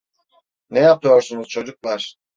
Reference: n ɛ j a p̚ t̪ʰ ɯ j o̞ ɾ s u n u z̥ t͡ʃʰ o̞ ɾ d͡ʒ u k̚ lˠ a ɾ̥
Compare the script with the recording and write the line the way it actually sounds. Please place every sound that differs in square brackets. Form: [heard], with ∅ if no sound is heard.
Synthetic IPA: n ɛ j a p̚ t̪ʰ ɯ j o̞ ɾ s u n u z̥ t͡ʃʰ o̞ [∅] d͡ʒ u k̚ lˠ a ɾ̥